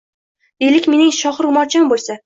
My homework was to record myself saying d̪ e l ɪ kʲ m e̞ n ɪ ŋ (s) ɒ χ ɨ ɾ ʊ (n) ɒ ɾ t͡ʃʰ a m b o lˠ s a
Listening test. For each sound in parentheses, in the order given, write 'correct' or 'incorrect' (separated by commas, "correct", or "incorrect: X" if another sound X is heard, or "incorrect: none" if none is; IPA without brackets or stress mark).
incorrect: ʃ, incorrect: m